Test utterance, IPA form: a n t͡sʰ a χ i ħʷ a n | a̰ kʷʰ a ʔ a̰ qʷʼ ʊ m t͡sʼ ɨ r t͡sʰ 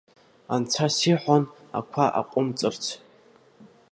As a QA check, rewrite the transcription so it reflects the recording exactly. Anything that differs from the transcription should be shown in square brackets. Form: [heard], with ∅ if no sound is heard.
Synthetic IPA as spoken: a n t͡sʰ a [s] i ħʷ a n | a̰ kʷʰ a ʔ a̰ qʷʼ ʊ m t͡sʼ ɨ r t͡sʰ